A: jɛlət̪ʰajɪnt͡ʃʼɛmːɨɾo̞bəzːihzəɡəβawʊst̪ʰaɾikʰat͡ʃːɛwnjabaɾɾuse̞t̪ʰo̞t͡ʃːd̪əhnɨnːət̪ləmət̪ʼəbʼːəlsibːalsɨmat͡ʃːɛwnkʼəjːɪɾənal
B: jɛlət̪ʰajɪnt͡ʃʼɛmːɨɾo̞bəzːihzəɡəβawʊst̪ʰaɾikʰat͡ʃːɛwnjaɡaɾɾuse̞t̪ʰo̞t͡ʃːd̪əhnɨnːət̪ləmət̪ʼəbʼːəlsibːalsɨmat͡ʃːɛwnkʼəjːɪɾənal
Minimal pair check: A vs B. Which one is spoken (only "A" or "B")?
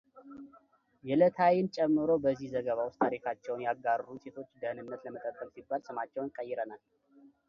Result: B